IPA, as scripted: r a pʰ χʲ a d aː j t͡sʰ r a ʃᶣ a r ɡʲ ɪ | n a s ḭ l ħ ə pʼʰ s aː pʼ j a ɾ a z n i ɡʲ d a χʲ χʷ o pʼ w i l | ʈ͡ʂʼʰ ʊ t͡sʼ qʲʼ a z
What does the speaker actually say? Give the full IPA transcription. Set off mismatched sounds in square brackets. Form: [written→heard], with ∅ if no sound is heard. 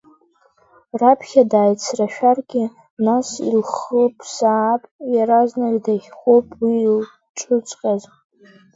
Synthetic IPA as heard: r a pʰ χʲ a d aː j t͡sʰ r a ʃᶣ a r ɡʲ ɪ | n a s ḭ l [ħ→χ] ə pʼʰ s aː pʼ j a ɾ a z n [i→a] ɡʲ d a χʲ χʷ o pʼ w i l | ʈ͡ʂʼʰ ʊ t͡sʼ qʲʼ a z